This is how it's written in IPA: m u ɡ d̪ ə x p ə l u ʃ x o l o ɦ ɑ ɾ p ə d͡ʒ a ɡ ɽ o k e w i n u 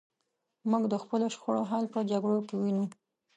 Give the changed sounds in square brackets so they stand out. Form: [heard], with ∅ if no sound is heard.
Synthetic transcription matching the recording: m u ɡ d̪ ə x p ə l [o] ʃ x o [ɽ] o ɦ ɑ [l] p ə d͡ʒ a ɡ ɽ o k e w i n u